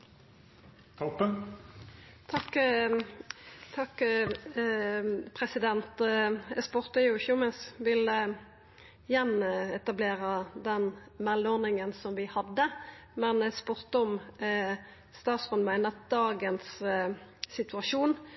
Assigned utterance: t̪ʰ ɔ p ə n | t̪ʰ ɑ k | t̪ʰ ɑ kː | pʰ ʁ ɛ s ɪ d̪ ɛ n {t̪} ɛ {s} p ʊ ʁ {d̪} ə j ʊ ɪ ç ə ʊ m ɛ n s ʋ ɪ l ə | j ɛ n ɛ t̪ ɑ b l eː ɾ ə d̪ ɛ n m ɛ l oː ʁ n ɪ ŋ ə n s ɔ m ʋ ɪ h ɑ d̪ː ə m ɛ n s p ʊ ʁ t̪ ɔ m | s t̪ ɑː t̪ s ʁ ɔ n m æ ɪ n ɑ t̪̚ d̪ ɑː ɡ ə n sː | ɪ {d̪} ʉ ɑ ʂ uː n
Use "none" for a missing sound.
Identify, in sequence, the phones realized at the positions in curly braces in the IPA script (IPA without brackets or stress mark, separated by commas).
t̪, s, t̪, t̪